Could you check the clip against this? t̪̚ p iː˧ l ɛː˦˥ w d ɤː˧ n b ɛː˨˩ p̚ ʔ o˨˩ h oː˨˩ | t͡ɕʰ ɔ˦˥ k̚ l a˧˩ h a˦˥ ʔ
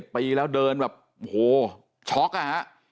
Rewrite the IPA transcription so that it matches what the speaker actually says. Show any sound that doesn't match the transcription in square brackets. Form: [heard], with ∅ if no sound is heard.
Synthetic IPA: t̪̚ p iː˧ l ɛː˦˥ w d ɤː˧ n b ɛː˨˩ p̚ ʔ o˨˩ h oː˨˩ | t͡ɕʰ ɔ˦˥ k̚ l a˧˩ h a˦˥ ʔ